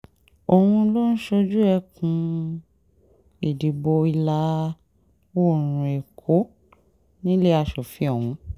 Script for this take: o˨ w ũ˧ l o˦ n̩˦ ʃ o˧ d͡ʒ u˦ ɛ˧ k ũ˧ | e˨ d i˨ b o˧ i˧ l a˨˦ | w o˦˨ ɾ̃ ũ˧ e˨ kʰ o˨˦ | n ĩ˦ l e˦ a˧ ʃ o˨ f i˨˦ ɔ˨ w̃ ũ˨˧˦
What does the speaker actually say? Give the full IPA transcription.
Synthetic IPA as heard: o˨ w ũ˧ l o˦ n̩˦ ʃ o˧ d͡ʒ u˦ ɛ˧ k ũ˧ | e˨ d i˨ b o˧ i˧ l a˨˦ | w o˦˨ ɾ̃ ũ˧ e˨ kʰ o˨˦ | n ĩ˦ l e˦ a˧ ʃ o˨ f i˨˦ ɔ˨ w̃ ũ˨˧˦